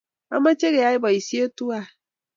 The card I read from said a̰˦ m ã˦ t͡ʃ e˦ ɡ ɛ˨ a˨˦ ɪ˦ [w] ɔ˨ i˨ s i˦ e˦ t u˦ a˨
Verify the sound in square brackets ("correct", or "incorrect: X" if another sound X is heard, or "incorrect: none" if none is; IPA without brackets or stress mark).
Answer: incorrect: b